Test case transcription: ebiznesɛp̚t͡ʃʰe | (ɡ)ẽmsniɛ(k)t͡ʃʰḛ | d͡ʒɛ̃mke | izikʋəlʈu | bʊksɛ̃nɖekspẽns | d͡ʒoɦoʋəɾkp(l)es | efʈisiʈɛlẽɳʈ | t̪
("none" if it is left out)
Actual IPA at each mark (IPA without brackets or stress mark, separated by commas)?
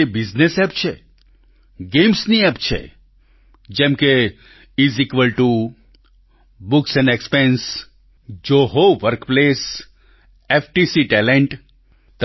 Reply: ɡ, p, l